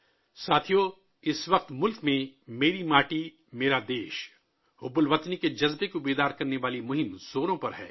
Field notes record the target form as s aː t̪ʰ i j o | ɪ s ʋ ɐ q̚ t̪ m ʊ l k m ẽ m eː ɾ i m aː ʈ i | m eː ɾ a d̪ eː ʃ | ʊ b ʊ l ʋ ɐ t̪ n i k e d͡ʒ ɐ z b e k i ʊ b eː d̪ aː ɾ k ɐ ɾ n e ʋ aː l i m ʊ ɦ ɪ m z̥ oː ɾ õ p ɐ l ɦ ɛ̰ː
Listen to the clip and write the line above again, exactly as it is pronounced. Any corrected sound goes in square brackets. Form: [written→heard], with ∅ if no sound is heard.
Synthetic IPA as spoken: s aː t̪ʰ i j o | ɪ s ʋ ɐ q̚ t̪ m ʊ l k m ẽ m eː ɾ i m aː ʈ i | m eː ɾ a d̪ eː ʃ | ʊ b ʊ l ʋ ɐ t̪ n i k e d͡ʒ ɐ z b e k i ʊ b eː d̪ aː ɾ k ɐ ɾ n e ʋ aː l i m ʊ ɦ ɪ m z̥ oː ɾ õ p ɐ [l→ɾ] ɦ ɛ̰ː